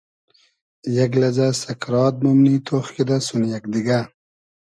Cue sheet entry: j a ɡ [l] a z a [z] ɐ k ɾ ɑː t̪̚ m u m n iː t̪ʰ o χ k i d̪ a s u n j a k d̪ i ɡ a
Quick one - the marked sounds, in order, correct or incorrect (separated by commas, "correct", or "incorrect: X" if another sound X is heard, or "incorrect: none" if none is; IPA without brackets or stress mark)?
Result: correct, incorrect: s